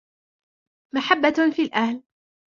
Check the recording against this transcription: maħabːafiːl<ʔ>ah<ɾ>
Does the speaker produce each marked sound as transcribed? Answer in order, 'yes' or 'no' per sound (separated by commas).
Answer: yes, no